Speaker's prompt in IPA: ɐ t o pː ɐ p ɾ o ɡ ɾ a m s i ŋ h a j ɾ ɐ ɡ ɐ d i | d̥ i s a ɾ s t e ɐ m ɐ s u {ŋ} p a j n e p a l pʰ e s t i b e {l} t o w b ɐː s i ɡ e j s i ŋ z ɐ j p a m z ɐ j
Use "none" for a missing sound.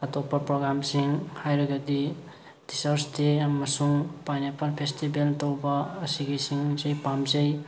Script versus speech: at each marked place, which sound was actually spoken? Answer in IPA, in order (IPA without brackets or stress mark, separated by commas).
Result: ŋ, l